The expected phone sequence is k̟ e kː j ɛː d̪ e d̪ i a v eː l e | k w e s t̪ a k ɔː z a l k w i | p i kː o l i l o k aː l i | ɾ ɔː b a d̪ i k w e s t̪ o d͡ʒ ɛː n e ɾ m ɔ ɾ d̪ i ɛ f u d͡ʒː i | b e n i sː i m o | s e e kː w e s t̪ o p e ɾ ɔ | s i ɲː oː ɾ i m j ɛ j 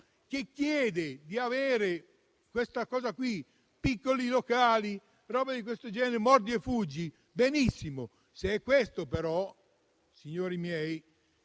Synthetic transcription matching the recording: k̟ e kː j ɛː d̪ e d̪ i a v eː ɾ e | k w e s t̪ a k ɔː z a k w i | p i kː o l i l o k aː l i | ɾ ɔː b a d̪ i k w e s t̪ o d͡ʒ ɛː n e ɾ m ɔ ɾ d̪ i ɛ f u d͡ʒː i | b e n i sː i m o | s e ɛ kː w e s t̪ o p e ɾ ɔ | s i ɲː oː ɾ i m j ɛ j